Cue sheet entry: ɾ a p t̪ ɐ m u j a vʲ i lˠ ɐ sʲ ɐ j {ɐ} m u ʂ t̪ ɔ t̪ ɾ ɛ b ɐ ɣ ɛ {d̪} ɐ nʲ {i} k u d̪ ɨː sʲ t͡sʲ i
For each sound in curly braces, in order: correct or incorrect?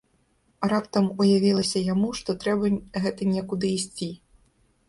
incorrect, incorrect, incorrect

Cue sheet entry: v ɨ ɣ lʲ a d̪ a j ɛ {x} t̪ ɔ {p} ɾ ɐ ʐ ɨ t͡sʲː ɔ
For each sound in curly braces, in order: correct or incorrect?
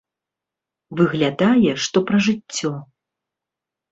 incorrect, correct

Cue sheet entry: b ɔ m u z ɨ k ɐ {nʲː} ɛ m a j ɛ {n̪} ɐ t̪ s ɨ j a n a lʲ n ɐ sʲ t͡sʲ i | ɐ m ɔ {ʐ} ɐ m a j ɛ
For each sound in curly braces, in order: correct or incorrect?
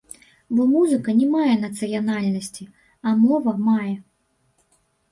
incorrect, correct, incorrect

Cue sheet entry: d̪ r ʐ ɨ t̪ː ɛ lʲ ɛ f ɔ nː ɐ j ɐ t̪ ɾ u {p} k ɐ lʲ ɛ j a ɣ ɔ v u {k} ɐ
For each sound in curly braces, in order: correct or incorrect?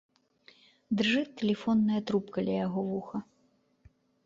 correct, incorrect

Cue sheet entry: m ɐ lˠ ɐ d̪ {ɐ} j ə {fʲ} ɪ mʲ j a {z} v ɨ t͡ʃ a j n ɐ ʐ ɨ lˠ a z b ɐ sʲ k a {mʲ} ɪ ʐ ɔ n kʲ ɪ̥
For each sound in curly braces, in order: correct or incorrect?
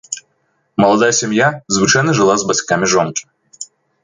incorrect, incorrect, correct, correct

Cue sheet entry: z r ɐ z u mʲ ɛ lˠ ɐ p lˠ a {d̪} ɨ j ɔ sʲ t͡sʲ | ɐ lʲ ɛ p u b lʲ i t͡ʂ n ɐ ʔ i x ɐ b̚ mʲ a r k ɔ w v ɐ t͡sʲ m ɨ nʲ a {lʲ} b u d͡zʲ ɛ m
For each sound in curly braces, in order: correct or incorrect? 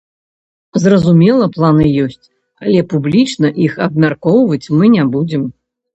incorrect, incorrect

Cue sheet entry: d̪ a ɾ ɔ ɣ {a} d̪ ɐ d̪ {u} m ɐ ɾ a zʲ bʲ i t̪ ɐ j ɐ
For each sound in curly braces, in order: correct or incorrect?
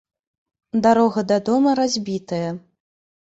incorrect, incorrect

